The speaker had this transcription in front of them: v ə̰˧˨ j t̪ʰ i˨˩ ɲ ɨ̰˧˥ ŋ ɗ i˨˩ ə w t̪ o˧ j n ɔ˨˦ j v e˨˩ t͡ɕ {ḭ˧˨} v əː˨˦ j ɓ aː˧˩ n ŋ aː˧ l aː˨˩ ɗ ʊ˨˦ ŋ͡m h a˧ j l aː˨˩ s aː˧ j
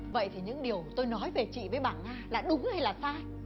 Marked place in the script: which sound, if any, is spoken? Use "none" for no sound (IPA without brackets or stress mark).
ḭ˧˨